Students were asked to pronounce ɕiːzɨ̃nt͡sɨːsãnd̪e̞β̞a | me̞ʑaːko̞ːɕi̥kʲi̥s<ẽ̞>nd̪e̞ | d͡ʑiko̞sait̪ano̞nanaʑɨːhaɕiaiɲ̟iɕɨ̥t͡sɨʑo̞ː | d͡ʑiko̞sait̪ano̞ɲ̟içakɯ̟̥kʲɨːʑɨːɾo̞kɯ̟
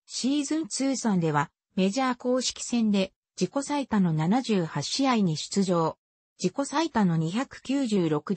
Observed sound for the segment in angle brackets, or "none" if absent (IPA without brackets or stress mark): ẽ̞